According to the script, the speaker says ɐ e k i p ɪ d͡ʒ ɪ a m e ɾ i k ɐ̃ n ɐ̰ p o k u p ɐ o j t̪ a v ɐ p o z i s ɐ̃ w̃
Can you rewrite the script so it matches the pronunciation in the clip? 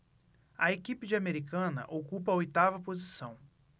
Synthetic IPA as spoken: ɐ e k i p ɪ d͡ʒ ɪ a m e ɾ i k ɐ̃ n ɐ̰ ʔ o k u p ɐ o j t̪ a v ɐ p o z i s ɐ̃ w̃

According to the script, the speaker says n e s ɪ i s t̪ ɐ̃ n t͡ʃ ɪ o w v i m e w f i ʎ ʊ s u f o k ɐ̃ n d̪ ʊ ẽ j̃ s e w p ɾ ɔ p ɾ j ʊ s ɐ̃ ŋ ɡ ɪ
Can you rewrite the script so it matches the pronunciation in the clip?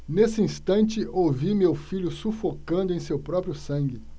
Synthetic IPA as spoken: n e s ɪ ĩ s t̪ ɐ̃ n t͡ʃ ɪ o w v i m e w f i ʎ ʊ s u f o k ɐ̃ n d̪ ʊ ẽ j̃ s e w p ɾ ɔ p ɾ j ʊ s ɐ̃ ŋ ɡ ɪ

